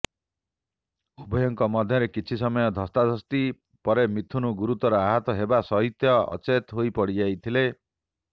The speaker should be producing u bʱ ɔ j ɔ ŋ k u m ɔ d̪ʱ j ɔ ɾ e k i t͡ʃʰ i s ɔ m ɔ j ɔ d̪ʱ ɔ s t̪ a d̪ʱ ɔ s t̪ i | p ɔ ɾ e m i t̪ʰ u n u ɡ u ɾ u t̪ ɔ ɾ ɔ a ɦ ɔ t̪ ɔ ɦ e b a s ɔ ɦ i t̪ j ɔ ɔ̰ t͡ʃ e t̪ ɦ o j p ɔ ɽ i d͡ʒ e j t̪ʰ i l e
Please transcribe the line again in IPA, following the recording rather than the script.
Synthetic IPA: u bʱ ɔ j ɔ ŋ k ɔ m ɔ d̪ʱ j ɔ ɾ e k i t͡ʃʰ i s ɔ m ɔ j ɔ d̪ʱ ɔ s t̪ a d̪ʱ ɔ s t̪ i | p ɔ ɾ e m i t̪ʰ u n u ɡ u ɾ u t̪ ɔ ɾ ɔ a ɦ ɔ t̪ ɔ ɦ e b a s ɔ ɦ i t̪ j ɔ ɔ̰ t͡ʃ e t̪ ɦ o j p ɔ ɽ i d͡ʒ a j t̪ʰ i l e